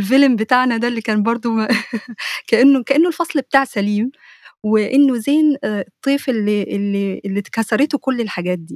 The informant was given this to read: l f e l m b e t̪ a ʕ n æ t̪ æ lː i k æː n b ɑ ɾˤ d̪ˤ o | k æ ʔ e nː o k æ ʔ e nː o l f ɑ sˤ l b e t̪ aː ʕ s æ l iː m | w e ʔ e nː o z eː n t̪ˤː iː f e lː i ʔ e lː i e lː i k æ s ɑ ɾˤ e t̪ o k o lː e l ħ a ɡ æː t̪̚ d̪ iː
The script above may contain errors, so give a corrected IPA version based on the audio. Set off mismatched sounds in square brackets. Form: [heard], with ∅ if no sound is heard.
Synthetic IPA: l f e l m b e t̪ a ʕ n æ [d̪] æ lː i k æː n b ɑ ɾˤ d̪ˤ o | k æ ʔ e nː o k æ ʔ e nː o l f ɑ sˤ l b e t̪ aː ʕ s æ l iː m | w e ʔ e nː o z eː n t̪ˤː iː f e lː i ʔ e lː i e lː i k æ s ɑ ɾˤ e t̪ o k o lː e l ħ a ɡ æː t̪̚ d̪ iː